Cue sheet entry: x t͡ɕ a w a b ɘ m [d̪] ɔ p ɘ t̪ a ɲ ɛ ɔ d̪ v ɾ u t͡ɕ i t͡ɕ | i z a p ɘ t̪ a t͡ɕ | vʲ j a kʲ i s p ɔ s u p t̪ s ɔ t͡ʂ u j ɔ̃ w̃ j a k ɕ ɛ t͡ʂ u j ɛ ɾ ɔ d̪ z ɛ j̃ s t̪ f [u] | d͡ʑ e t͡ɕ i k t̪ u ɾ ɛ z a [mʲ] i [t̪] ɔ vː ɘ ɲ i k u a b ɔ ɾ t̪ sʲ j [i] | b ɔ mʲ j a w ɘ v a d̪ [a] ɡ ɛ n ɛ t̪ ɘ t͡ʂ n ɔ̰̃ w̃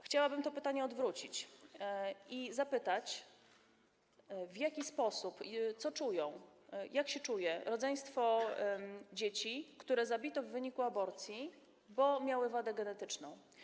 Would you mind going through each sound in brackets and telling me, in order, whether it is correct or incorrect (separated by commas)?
incorrect, incorrect, incorrect, correct, correct, incorrect